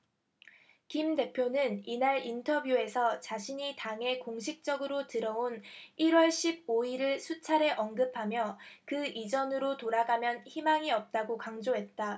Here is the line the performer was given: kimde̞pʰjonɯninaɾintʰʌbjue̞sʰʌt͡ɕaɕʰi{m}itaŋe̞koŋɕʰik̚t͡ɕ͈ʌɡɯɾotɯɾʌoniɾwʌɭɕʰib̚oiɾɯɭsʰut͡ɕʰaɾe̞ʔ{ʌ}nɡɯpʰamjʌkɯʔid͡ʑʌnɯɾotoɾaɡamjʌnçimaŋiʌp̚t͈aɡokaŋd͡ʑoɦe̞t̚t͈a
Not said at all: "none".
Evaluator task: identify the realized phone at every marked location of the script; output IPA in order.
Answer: ɲ, ʌ

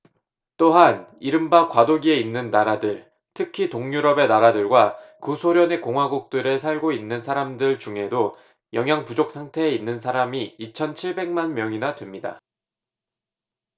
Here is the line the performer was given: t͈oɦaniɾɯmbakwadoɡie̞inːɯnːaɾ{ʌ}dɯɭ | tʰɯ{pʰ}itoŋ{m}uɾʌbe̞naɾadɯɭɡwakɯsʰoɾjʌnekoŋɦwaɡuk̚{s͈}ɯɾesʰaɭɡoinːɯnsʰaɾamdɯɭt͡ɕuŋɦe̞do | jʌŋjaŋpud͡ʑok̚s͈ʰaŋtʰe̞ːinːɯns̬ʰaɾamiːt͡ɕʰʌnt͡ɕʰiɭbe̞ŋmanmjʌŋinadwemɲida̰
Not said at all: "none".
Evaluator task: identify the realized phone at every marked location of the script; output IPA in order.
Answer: a, kʰ, ɲ, t͈

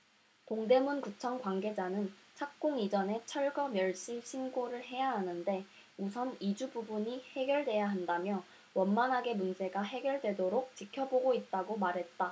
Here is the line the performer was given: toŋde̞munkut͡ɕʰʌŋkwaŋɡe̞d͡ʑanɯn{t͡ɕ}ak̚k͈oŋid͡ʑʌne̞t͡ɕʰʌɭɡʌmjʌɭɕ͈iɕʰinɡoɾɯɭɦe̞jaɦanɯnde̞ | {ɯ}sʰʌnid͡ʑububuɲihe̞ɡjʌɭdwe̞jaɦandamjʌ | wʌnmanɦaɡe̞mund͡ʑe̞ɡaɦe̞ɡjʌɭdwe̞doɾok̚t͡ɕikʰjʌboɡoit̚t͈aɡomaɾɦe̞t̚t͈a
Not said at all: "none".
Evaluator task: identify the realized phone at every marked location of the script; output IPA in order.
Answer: t͡ɕʰ, u

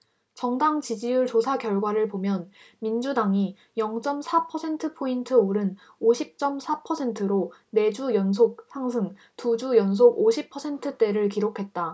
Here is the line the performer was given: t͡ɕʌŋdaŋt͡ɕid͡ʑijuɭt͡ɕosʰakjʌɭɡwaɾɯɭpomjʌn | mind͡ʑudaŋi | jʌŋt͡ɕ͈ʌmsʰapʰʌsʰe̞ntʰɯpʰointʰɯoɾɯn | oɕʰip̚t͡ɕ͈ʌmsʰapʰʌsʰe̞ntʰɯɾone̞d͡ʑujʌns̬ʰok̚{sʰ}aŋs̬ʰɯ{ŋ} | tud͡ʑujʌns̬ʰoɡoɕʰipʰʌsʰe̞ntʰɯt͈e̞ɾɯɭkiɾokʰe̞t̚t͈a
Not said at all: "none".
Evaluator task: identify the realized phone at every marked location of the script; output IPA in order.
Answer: sʰ, ŋ

